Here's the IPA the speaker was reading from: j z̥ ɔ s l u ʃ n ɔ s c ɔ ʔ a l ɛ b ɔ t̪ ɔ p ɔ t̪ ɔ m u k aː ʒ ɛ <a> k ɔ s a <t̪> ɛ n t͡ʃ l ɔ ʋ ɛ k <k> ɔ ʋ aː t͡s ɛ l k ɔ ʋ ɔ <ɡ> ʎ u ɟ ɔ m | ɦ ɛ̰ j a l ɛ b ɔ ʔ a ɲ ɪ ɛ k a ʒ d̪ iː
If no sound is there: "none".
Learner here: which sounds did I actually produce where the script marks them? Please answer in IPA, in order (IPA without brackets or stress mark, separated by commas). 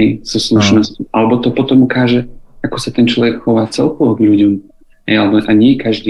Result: a, t̪, x, ɡ